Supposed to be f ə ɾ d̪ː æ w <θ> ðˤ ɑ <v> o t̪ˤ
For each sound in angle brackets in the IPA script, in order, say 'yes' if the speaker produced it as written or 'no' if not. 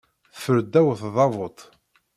yes, yes

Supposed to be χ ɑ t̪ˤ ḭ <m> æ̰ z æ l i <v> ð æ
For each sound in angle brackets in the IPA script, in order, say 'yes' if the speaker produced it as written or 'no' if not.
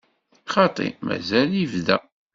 yes, yes

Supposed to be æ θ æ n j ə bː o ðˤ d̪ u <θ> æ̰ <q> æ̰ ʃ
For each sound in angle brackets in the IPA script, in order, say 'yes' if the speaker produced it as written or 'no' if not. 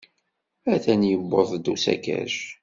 no, no

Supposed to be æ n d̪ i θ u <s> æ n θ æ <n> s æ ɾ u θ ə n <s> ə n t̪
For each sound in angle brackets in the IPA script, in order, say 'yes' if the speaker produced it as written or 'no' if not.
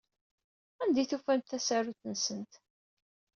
no, no, yes

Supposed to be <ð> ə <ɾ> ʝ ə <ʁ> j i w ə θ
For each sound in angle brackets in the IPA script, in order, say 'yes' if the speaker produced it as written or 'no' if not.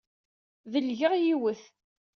yes, no, yes

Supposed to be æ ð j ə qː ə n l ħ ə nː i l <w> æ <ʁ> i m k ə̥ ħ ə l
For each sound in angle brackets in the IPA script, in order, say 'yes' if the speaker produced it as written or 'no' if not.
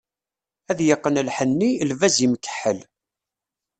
no, no

